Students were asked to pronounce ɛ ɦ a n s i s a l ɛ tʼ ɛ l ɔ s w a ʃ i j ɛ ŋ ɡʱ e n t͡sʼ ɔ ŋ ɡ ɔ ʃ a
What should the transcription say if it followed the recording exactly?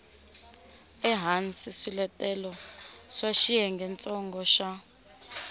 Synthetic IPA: ɛ ɦ a n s i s i l ɛ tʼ ɛ l ɔ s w a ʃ i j ɛ ŋ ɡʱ ɛ n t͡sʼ ɔ ŋ ɡ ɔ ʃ a